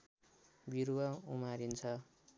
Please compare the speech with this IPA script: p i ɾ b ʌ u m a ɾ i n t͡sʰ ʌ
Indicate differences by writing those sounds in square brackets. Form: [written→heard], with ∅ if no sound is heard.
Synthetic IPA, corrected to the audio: [p→b] i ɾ [b→w] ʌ u m a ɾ i n t͡sʰ ʌ